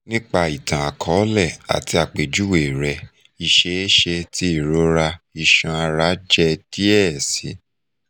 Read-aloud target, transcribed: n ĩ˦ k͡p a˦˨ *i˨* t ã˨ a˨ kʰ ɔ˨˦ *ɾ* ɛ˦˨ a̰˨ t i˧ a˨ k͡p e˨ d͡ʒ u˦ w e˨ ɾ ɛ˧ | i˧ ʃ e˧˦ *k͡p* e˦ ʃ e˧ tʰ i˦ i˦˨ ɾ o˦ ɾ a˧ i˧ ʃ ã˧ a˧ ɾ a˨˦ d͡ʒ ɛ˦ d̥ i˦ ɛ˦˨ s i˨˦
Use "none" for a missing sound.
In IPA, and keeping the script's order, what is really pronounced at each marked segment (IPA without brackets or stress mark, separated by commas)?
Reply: i˨, l, none